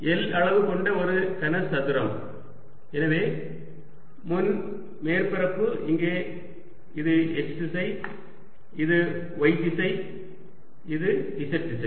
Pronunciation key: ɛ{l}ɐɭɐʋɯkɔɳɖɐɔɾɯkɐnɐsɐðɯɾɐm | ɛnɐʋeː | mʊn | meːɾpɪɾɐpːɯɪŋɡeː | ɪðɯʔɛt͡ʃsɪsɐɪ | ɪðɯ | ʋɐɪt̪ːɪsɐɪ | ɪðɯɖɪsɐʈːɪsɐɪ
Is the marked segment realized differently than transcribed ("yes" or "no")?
no